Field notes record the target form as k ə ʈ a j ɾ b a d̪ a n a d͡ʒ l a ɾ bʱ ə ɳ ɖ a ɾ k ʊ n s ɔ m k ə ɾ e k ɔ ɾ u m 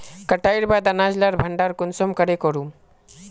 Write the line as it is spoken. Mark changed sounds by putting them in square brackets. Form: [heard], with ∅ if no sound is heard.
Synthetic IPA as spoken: k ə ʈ a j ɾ b a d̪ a n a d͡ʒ l a ɾ bʱ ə ɳ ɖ a ɾ k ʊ n s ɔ m k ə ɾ e k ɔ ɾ u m